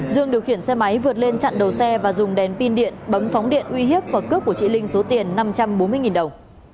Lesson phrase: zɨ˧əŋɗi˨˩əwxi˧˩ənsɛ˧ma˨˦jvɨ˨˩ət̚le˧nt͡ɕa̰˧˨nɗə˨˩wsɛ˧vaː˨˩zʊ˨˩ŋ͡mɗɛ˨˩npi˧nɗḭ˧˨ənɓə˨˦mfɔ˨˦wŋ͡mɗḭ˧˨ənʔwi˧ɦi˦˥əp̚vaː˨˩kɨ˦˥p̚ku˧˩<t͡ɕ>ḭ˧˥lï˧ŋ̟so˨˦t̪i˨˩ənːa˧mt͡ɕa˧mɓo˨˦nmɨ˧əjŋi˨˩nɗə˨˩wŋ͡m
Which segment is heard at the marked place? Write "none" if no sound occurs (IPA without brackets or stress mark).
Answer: t͡ɕ